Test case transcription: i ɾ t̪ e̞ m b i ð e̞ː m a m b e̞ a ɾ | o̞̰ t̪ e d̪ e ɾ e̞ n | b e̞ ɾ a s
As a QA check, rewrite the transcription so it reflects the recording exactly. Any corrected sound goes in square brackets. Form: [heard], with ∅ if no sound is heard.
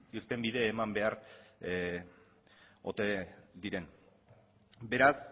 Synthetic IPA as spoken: i ɾ t̪ e̞ m b i ð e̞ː m a m b e̞ a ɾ | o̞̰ t̪ e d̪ [i] ɾ e̞ n | b e̞ ɾ a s